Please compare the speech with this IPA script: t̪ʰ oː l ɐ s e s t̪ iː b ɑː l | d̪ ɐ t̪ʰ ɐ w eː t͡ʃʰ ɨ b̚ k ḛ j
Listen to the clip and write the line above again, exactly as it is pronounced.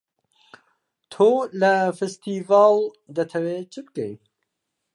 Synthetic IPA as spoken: t̪ʰ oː l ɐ f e s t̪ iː v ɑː l | d̪ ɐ t̪ʰ ɐ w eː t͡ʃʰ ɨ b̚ k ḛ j